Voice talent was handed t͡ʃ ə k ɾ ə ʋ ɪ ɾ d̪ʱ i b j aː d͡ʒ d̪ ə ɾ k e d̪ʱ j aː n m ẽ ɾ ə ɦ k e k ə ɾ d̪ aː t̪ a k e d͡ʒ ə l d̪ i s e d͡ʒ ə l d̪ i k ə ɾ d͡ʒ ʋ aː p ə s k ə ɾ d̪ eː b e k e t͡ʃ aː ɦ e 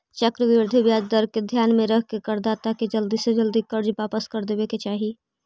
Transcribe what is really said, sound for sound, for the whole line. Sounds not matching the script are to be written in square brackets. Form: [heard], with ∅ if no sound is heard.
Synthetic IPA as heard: t͡ʃ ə k ɾ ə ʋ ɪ ɾ d̪ʱ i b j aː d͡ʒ d̪ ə ɾ k e d̪ʱ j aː n m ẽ ɾ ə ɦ k e k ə ɾ d̪ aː t̪ a k e d͡ʒ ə l d̪ i s e d͡ʒ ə l d̪ i k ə ɾ d͡ʒ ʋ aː p ə s k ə ɾ d̪ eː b e k e t͡ʃ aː ɦ [i]